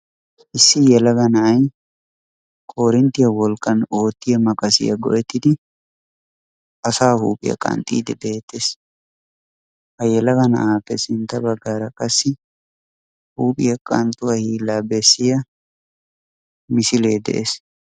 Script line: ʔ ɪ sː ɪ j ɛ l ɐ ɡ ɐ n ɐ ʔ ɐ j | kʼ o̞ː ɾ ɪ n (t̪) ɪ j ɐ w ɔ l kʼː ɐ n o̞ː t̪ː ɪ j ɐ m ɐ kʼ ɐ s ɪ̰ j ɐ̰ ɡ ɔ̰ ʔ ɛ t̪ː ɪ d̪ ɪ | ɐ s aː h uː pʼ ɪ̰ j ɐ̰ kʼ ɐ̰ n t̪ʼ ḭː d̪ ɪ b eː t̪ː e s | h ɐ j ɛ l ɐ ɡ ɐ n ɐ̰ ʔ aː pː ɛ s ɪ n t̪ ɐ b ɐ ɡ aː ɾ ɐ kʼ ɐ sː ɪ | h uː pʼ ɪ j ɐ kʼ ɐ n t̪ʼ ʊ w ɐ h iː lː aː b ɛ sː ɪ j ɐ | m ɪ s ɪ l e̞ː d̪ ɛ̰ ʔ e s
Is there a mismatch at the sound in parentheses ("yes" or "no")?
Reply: no